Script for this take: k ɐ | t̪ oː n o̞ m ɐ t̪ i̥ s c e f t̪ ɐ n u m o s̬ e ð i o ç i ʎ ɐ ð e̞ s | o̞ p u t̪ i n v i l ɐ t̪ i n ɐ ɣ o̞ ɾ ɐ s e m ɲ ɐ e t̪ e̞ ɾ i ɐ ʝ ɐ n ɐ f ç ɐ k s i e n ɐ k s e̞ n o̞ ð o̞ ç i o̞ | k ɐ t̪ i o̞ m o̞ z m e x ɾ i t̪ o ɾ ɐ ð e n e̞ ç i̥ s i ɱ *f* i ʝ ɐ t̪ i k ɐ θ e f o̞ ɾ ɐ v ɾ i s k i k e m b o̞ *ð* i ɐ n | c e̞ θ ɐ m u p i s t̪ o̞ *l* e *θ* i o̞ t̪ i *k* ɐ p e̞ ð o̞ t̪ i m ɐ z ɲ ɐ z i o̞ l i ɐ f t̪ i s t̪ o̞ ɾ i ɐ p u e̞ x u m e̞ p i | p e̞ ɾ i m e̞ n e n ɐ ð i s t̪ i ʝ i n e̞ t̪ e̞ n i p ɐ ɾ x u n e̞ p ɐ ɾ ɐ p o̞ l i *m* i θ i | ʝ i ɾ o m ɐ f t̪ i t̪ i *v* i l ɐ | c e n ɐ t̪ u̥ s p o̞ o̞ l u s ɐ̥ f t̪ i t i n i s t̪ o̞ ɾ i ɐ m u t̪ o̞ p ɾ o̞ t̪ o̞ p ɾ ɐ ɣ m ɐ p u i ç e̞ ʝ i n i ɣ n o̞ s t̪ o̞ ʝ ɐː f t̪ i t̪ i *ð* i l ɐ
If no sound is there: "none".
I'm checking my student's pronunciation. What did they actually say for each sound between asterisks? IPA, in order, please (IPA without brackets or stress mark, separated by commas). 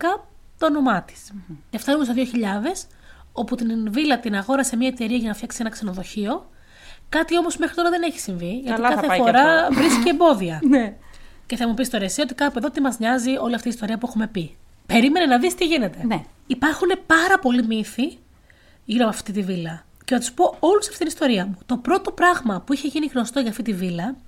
v, ð, ɾ, s, k, m, v, v